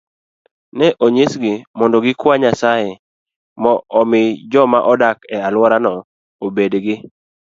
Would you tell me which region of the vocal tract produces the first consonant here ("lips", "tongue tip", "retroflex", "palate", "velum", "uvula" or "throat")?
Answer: tongue tip